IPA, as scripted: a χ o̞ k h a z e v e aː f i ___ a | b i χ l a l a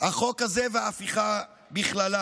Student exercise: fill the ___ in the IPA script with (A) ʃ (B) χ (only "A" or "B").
B